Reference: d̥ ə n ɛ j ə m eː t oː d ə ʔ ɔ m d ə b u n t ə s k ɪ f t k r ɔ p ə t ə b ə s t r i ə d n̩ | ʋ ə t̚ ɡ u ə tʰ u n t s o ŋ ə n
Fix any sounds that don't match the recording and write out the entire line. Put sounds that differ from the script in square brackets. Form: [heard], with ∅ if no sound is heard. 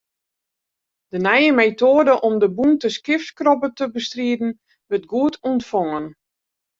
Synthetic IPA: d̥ ə n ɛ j ə m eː t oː d ə ʔ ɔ m d ə b u n t ə s k ɪ f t k r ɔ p ə t ə b ə s t r i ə d n̩ | ʋ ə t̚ ɡ u ə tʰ u n t [f] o ŋ ə n